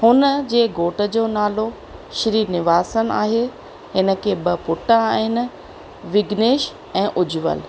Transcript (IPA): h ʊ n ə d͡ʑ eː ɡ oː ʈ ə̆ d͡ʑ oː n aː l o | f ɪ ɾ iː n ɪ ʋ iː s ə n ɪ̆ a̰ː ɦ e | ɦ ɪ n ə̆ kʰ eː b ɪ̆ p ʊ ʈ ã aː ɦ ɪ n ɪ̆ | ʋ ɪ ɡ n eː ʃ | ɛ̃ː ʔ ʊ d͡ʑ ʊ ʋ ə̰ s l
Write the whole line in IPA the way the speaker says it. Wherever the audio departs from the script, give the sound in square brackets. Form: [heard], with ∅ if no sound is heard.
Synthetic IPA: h ʊ n ə d͡ʑ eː ɡ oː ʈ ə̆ d͡ʑ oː n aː l o | [ʃ] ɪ ɾ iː n ɪ ʋ [aː] s ə n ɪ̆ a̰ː ɦ e | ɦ ɪ n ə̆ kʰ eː b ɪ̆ p ʊ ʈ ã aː ɦ ɪ n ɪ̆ | ʋ ɪ ɡ n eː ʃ | ɛ̃ː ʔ ʊ d͡ʑ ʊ ʋ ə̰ [∅] l